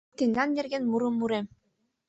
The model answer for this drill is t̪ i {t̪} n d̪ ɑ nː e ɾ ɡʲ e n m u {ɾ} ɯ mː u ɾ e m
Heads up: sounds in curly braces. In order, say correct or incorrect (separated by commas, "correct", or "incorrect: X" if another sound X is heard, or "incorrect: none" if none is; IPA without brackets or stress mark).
incorrect: none, correct